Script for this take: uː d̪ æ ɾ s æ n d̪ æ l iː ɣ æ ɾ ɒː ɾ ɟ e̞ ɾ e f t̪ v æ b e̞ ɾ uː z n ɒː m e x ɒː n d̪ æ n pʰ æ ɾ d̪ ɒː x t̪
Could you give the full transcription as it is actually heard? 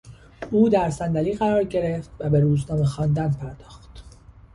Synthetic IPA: uː d̪ æ ɾ s æ n d̪ æ l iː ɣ æ ɾ ɒː ɾ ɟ e̞ ɾ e f t̪ v æ b e̞ ɾ uː z n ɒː m e x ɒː n d̪ æ n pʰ æ ɾ d̪ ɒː x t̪